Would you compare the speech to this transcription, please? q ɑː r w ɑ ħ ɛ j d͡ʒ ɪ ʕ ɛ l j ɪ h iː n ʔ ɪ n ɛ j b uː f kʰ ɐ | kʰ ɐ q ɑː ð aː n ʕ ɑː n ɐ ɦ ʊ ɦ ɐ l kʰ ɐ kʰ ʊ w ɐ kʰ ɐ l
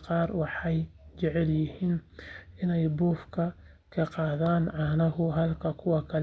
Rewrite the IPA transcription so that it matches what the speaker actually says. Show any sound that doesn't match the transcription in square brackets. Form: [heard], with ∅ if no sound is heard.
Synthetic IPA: q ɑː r w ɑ ħ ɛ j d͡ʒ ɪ ʕ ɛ l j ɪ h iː n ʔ ɪ n ɛ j b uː f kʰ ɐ | kʰ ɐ q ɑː ð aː n ʕ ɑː n ɐ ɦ ʊ ɦ ɐ l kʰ ɐ kʰ ʊ w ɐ kʰ ɐ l

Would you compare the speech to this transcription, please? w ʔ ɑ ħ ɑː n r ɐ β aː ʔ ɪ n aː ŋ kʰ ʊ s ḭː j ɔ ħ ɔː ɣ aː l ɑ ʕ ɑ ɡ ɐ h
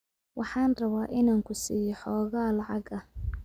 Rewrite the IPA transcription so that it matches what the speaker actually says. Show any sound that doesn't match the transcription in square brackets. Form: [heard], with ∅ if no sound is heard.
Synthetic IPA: w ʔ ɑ ħ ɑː n r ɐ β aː ʔ ɪ n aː ŋ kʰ ʊ s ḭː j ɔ ħ ɔː ɣ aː l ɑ ʕ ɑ ɡ ɐ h

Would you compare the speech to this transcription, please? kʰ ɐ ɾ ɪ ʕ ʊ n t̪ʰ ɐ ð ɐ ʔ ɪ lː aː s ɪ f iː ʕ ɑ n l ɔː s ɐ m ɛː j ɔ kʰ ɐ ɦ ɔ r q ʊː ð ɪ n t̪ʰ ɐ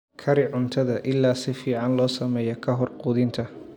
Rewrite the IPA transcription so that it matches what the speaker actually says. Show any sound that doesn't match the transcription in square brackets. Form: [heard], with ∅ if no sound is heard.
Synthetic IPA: kʰ ɐ ɾ ɪ ʕ ʊ n t̪ʰ ɐ ð ɐ ʔ ɪ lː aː s ɪ f iː ʕ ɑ n l ɔː s ɐ m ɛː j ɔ kʰ ɐ ɦ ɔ r q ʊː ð ɪ n t̪ʰ ɐ

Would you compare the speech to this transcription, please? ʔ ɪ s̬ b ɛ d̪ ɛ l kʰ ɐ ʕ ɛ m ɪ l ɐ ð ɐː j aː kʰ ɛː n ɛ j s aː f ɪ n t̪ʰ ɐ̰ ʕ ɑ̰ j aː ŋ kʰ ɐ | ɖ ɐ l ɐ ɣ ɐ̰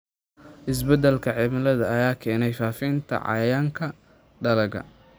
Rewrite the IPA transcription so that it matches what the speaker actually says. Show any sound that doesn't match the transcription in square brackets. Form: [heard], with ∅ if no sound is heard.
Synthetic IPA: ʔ ɪ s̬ b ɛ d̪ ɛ l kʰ ɐ ʕ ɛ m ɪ l ɐ ð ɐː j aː kʰ ɛː n ɛ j [f] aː f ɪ n t̪ʰ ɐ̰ ʕ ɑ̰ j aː ŋ kʰ ɐ | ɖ ɐ l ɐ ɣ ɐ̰

